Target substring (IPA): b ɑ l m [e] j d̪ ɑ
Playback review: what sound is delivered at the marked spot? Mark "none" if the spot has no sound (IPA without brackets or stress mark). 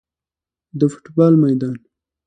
a